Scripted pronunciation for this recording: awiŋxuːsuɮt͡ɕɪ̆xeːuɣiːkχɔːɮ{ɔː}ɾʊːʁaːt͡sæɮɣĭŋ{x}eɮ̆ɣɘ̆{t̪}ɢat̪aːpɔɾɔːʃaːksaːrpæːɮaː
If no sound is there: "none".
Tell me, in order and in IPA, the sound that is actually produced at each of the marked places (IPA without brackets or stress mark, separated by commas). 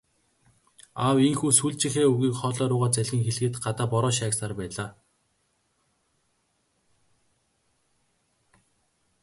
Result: ɔː, x, t̪